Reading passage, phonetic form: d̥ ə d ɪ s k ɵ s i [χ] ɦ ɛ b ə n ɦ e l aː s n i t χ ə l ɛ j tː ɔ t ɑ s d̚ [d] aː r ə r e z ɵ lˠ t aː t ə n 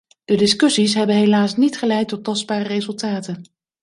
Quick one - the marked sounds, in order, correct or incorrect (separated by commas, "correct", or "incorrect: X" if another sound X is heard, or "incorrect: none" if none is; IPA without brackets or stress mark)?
incorrect: s, incorrect: b